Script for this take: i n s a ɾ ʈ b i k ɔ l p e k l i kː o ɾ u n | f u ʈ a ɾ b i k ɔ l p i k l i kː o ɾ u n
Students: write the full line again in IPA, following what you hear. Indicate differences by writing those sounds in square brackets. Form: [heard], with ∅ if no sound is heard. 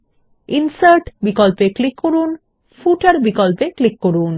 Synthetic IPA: i n s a ɾ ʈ b i k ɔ l p e k l i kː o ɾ u n | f u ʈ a ɾ b i k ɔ l p [e] k l i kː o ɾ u n